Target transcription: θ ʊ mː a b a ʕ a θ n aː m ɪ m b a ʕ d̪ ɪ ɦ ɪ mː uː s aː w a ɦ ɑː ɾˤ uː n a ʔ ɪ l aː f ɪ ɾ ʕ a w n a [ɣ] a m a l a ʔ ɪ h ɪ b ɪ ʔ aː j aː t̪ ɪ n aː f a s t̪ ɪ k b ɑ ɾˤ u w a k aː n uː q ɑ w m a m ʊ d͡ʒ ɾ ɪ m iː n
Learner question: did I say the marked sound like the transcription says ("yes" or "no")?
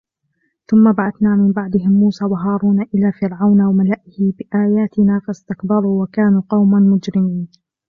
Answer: no